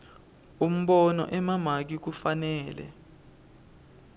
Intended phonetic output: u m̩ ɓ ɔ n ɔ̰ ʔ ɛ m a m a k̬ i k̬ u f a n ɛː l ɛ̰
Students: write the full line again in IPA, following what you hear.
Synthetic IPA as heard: u m̩ ɓ ɔ n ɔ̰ ʔ ɛ m a m a k̬ i k̬ u f a n ɛː l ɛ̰